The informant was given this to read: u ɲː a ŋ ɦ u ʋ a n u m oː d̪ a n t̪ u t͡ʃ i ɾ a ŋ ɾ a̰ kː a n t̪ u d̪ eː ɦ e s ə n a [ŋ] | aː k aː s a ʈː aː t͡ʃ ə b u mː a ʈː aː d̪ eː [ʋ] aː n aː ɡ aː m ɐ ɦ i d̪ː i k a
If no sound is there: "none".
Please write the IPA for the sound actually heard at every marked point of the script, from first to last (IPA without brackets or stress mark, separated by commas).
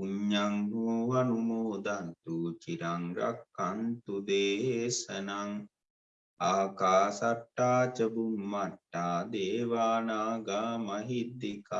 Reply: ŋ, ʋ